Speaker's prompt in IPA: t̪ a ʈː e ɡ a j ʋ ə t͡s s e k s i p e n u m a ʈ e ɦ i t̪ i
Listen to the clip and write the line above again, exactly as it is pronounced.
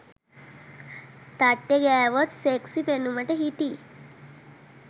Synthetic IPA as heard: t̪ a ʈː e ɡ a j ʋ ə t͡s s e k s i p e n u m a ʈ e ɦ i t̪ i